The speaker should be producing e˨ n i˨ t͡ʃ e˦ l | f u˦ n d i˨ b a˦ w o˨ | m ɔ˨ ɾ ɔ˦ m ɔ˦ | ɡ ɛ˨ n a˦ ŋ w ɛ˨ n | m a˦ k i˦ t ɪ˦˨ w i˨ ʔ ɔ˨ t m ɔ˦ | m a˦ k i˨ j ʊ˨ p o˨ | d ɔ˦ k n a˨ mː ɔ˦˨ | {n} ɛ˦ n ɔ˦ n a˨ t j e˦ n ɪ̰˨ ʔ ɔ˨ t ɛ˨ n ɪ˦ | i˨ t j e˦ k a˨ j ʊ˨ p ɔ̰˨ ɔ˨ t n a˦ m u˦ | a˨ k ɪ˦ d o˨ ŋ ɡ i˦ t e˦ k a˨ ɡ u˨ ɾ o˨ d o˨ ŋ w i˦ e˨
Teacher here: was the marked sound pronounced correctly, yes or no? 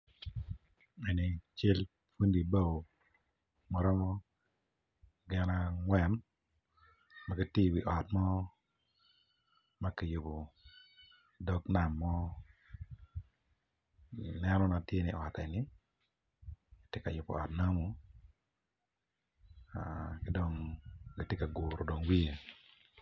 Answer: yes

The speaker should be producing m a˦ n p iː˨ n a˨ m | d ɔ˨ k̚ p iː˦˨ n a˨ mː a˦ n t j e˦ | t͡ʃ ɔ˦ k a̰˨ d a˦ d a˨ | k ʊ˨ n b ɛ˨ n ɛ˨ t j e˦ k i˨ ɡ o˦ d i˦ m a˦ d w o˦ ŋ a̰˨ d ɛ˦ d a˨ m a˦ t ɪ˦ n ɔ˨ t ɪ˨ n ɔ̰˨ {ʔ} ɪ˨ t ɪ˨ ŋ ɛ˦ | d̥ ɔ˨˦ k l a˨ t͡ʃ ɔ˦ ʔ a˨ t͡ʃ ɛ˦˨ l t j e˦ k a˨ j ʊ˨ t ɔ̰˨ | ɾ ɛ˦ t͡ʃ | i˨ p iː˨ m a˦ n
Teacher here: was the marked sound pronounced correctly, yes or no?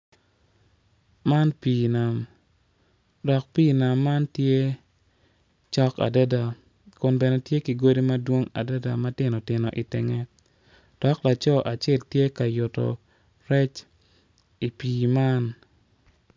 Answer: yes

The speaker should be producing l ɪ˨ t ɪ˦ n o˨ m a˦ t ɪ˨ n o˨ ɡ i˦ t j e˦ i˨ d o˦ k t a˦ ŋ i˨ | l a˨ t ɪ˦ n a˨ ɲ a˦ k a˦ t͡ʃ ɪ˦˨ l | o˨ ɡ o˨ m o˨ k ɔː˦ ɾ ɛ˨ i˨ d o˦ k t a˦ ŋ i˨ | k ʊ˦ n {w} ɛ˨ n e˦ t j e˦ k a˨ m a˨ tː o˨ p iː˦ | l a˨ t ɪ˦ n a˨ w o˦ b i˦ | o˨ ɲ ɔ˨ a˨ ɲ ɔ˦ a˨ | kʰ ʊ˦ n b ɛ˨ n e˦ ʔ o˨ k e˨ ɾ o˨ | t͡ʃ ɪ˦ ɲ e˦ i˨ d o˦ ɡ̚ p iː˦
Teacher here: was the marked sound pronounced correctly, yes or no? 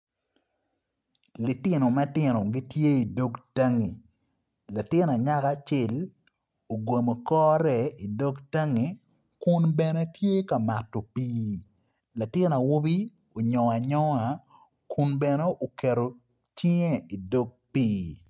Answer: no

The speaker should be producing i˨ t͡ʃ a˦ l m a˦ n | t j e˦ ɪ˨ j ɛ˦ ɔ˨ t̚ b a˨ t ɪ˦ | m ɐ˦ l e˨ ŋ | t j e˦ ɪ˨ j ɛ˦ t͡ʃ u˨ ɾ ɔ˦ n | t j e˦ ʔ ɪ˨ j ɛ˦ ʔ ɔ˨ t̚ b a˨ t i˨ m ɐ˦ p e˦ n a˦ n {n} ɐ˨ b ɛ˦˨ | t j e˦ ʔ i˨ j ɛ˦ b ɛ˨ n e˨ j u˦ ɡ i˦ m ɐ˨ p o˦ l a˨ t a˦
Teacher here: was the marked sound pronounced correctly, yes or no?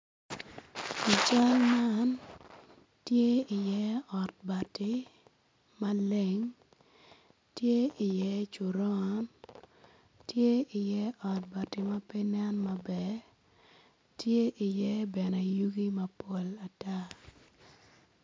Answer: no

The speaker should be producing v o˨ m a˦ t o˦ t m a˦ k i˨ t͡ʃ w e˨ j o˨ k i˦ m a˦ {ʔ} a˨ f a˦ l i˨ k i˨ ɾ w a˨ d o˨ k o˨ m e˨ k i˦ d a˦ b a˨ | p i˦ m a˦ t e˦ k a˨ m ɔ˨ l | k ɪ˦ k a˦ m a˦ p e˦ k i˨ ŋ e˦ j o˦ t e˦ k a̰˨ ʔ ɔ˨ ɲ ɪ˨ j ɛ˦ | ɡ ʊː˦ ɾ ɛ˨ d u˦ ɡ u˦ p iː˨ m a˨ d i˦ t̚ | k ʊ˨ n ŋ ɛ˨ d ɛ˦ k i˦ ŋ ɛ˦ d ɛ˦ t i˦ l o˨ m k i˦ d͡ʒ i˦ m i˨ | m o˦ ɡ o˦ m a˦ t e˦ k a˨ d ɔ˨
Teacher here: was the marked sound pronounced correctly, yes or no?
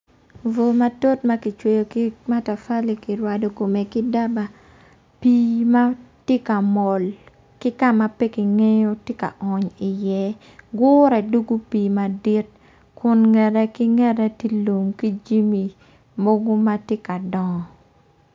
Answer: no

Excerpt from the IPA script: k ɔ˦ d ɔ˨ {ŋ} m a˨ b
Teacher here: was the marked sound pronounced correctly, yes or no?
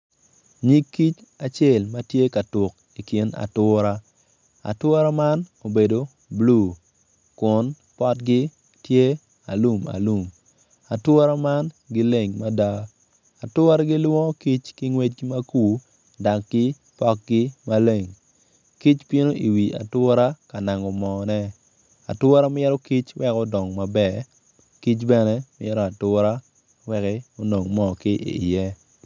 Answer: yes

